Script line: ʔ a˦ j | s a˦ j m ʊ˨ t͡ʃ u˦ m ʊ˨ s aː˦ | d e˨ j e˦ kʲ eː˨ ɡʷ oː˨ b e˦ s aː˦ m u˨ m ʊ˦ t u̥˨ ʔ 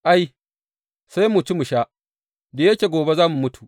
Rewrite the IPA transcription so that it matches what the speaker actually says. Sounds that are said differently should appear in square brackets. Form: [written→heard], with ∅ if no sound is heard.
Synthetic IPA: ʔ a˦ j | s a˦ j m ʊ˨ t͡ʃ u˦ m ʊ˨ [s→ʃ] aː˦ | d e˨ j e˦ kʲ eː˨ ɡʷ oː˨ b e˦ [s→z] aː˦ m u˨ m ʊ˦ t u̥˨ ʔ